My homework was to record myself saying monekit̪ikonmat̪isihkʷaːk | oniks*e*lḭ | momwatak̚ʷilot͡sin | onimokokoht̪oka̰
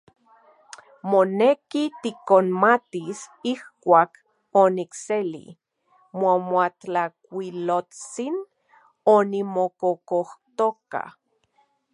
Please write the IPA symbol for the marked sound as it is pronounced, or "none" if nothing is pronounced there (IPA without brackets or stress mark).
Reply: e